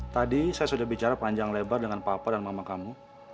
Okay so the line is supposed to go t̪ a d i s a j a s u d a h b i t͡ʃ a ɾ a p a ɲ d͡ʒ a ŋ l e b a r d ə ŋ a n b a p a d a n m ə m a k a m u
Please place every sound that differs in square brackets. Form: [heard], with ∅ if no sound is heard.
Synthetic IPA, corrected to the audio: t̪ a d i s a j a s u d a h b i t͡ʃ a ɾ a p a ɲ d͡ʒ a ŋ l e b a r d ə ŋ a n [p] a p a d a n m [a] m a k a m u

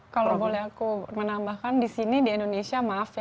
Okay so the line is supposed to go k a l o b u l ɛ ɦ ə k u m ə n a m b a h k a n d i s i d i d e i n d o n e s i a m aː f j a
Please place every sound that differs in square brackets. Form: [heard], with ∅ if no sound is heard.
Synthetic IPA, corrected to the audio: k a l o b [o] l ɛ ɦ [a] k u m ə n a m b a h k a n d i s i [n] i d [i] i n d o n e s i a m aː f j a

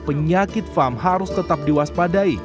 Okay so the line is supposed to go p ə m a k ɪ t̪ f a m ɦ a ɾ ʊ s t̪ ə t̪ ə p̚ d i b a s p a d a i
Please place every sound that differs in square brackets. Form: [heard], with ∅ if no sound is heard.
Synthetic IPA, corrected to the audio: p ə [ɲ] a k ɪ t̪ f a m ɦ a ɾ ʊ s t̪ ə t̪ [a] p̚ d i [w] a s p a d a i

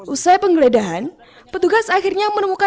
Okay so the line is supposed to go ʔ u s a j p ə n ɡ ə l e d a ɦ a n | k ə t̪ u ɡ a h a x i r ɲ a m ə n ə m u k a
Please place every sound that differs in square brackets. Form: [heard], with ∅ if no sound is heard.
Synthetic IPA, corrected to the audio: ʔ u s a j p ə [ŋ] ɡ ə l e d a ɦ a n | [p] ə t̪ u ɡ a [s] a x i r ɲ a m ə n ə m u k a

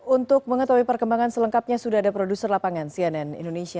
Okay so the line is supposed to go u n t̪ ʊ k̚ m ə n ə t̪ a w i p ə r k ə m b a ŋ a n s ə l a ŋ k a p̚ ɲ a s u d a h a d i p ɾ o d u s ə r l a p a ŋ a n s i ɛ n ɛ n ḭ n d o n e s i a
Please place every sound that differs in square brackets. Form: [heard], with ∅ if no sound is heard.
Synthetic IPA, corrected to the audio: u n t̪ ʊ k̚ m ə [ŋ] ə t̪ a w i p ə r k ə m b a ŋ a n s ə l [ə] ŋ k a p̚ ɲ a s u d a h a d [a] p ɾ o d u s ə r l a p a ŋ a n s i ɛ n ɛ n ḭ n d o n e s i a

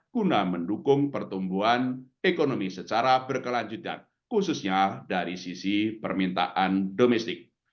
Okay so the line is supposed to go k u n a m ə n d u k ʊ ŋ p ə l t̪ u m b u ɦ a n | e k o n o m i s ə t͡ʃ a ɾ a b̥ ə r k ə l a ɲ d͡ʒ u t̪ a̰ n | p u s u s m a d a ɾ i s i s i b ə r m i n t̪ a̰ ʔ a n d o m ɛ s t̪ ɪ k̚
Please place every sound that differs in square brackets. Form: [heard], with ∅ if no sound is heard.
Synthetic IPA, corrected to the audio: k u n a m ə n d u k ʊ ŋ p ə [r] t̪ u m b u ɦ a n | e k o n o m i s ə t͡ʃ a ɾ a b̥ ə r k ə l a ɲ d͡ʒ u t̪ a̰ n | [k] u s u s [ɲ] a d a ɾ i s i s i [p] ə r m i n t̪ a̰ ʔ a n d o m ɛ s t̪ ɪ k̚

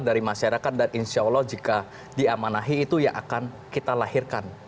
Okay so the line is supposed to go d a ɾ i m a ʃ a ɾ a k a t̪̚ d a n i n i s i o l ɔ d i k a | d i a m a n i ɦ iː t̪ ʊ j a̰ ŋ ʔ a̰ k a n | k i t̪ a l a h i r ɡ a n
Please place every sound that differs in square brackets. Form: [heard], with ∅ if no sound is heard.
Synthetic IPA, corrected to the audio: d a ɾ i m a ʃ a ɾ a k a t̪̚ d a n i n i s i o l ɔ [d͡ʒ] i k a | d i a m a n [a] ɦ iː t̪ [u] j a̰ ŋ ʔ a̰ k a n | k i t̪ a l a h i r [k] a n

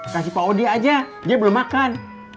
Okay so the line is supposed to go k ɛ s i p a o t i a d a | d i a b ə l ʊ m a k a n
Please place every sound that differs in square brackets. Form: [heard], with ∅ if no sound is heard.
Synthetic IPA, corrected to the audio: k [a] s i p a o [d] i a [d͡ʒ] a | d i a b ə l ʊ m a k a n

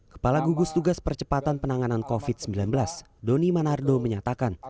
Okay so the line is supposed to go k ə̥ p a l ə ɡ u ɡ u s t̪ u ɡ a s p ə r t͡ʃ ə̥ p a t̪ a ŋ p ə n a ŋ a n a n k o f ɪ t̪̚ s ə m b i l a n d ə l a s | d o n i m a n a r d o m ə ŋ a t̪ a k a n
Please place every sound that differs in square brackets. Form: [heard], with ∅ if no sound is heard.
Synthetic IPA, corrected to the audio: k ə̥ p a l [a] ɡ u ɡ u s t̪ u ɡ a s p ə r t͡ʃ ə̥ p a t̪ a [n] p ə n a ŋ a n a n k o f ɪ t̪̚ s ə m b i l a n [b] ə l a s | d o n i m a n a r d o m ə [ɲ] a t̪ a k a n

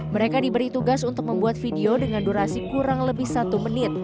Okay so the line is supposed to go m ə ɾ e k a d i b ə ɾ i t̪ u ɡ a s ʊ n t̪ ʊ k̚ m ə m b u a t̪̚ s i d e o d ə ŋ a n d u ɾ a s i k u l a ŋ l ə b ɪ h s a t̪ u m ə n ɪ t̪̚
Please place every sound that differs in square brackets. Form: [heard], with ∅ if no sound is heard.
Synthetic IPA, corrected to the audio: m ə ɾ e k a d i b ə ɾ i t̪ u ɡ a s [u] n t̪ ʊ k̚ m ə m b u a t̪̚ [f] i d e o d ə ŋ a n d u ɾ a s i k u [ɾ] a ŋ l ə b ɪ h s a t̪ u m ə n ɪ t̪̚

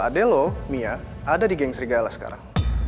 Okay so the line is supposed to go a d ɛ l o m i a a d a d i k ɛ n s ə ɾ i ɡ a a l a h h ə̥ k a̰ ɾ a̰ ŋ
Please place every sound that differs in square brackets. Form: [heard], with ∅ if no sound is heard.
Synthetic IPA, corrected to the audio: a d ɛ l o m i a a d a d i [ɡ] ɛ [ŋ] s ə ɾ i ɡ a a l a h [s] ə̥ k a̰ ɾ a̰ ŋ

